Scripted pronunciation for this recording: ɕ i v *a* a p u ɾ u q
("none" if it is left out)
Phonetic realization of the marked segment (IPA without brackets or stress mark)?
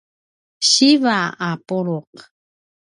a